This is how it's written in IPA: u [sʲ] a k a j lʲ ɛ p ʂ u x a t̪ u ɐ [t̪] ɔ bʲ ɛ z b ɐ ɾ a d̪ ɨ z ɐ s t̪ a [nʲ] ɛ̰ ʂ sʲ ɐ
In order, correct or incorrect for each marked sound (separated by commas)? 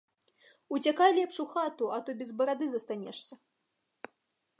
incorrect, correct, correct